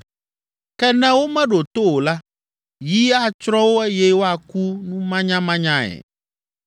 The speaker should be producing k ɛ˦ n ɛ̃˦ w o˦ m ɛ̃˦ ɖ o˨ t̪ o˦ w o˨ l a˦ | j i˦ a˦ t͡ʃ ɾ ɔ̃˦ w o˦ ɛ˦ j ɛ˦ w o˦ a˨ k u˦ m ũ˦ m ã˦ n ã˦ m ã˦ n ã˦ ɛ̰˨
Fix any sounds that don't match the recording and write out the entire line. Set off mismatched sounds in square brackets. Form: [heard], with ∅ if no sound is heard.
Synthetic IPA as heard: k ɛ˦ n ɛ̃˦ w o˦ m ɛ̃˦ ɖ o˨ t̪ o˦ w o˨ l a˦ | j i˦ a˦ t͡ʃ ɾ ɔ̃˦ w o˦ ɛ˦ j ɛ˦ w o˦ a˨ k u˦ [n] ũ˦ m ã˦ [ɲ] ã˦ m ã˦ [ɲ] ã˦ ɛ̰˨